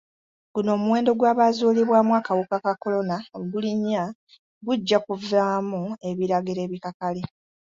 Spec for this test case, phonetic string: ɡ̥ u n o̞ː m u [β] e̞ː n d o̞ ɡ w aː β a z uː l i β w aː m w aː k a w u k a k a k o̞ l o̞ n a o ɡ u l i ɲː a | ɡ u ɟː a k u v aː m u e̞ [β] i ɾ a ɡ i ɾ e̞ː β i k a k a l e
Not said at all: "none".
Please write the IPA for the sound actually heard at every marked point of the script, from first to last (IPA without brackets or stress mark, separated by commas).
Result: w, β